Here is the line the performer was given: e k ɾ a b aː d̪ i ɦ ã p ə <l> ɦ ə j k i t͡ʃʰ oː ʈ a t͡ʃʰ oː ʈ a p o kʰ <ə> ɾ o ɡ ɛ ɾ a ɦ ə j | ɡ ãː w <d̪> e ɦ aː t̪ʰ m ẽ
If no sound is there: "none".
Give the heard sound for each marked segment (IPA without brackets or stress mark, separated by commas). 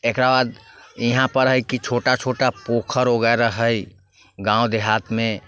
ɾ, ə, d̪